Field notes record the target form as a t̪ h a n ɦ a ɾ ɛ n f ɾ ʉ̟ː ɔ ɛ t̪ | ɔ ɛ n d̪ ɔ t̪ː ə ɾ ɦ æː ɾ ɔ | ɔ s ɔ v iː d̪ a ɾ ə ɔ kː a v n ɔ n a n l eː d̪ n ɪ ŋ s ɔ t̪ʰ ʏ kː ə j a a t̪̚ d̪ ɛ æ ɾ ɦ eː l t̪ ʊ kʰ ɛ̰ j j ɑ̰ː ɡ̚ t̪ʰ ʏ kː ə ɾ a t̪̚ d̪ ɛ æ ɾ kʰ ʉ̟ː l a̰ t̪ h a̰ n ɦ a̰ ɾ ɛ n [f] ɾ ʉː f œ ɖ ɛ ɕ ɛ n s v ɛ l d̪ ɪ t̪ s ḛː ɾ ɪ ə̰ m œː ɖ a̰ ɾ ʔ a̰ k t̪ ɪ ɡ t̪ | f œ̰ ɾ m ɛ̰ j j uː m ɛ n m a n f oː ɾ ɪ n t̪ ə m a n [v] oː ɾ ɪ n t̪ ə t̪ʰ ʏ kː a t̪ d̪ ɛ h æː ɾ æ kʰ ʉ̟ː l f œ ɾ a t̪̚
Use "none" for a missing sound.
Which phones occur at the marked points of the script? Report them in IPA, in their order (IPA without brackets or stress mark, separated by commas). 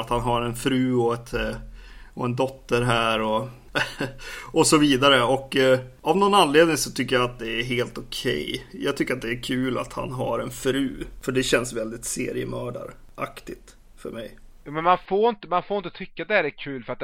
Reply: f, f